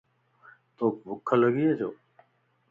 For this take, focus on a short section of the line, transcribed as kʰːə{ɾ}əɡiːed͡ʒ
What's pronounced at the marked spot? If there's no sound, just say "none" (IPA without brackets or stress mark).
l